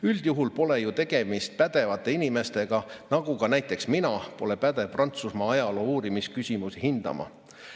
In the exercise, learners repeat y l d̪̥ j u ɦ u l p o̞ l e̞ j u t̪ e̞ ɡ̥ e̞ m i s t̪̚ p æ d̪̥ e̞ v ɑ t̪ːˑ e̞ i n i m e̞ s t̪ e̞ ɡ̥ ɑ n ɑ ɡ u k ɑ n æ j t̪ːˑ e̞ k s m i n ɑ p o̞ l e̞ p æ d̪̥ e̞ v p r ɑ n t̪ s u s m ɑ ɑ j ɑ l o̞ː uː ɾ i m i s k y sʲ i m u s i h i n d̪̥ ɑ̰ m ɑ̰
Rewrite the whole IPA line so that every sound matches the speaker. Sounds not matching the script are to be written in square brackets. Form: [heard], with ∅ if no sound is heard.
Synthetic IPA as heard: y l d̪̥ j u ɦ u l p o̞ l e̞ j u t̪ e̞ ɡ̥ e̞ m i s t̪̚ p æ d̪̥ e̞ v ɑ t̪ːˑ e̞ i n i m e̞ s t̪ e̞ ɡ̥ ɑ n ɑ ɡ u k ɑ n æ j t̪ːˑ e̞ k s m i n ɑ p o̞ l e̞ p æ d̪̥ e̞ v p r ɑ n t̪ s u s m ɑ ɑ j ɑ l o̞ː uː ɾ i m i s k y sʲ i m u s i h i n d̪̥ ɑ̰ m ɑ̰